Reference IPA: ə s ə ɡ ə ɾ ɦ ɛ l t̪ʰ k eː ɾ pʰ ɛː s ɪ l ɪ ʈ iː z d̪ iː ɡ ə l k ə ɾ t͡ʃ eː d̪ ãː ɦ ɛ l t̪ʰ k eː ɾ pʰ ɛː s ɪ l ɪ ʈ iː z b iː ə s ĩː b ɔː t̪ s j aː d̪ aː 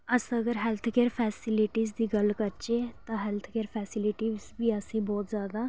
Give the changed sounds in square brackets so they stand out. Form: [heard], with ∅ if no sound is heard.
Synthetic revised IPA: ə s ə ɡ ə ɾ ɦ ɛ l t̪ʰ k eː ɾ pʰ ɛː s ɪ l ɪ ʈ iː z d̪ iː ɡ ə l k ə ɾ t͡ʃ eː [t̪] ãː ɦ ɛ l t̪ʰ k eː ɾ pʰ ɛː s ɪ l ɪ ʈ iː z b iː ə s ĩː b ɔː t̪ [z] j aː d̪ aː